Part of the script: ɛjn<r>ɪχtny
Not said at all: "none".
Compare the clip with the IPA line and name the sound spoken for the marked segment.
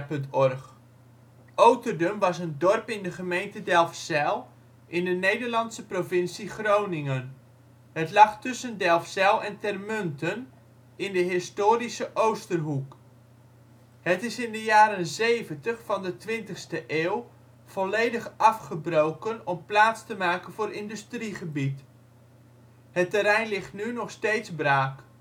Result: l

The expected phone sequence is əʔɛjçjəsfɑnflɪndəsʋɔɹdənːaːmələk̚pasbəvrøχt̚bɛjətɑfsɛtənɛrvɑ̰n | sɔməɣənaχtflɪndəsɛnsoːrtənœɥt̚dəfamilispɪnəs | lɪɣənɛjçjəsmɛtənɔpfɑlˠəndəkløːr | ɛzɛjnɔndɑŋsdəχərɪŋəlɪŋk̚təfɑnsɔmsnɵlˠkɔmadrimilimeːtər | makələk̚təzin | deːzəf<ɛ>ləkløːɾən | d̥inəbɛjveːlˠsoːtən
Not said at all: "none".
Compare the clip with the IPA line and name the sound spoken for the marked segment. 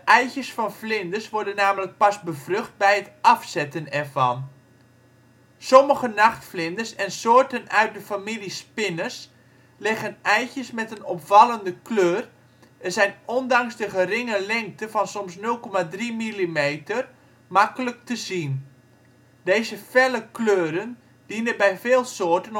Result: ɛ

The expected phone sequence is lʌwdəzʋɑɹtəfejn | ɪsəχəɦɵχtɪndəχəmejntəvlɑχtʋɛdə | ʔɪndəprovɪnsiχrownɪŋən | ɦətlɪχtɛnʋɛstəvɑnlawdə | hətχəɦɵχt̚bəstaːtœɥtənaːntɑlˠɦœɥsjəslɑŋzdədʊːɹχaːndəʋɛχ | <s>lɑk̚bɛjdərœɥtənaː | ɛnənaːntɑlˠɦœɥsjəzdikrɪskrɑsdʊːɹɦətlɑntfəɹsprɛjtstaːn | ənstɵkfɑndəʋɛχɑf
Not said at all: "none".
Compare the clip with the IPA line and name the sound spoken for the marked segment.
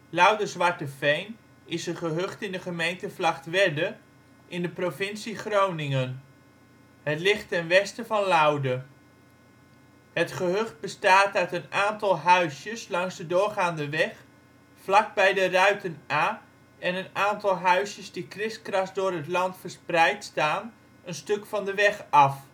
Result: f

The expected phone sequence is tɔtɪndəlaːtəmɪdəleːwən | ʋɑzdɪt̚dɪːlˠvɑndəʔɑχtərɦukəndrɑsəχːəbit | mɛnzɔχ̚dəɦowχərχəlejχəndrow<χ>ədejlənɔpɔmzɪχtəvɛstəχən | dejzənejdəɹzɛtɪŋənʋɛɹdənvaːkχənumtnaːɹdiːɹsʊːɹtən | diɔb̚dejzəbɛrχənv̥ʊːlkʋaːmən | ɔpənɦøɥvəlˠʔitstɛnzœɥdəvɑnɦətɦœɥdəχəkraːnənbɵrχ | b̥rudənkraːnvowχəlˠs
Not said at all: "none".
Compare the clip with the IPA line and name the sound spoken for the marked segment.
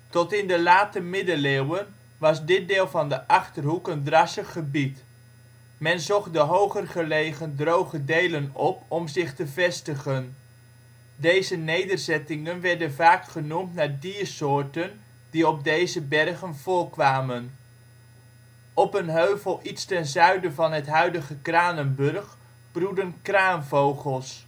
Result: χ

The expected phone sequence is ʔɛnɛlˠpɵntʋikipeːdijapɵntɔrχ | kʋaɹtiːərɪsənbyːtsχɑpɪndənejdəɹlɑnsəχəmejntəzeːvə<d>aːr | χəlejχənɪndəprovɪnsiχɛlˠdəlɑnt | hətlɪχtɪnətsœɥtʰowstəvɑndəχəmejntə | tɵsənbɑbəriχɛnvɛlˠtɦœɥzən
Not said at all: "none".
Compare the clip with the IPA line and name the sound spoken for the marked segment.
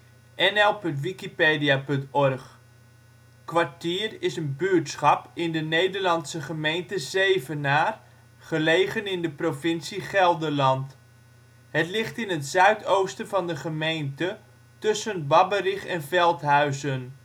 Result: n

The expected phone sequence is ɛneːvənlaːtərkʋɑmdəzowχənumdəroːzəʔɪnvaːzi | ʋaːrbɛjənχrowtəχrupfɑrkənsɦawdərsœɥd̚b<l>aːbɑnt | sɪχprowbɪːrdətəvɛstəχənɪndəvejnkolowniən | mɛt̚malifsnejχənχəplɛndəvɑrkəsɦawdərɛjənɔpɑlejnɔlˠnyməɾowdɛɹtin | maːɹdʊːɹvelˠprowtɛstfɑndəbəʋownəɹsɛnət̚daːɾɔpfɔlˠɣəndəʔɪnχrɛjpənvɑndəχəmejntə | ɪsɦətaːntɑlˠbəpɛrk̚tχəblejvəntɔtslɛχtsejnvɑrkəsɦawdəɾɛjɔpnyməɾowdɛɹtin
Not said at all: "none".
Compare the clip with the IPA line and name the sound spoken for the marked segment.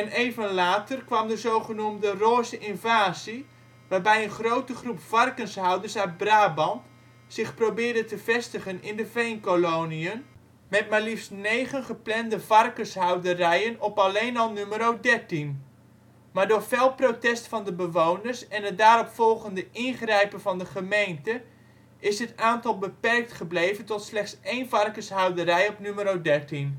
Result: r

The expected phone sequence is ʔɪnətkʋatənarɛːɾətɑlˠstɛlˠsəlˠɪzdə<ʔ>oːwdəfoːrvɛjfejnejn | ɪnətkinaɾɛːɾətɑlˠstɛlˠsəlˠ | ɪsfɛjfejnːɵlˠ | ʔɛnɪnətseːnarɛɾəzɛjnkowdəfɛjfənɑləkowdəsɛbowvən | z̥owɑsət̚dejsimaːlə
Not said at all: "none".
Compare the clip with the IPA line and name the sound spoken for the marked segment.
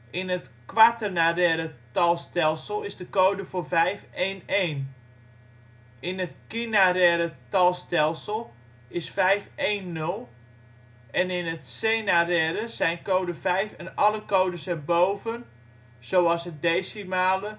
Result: k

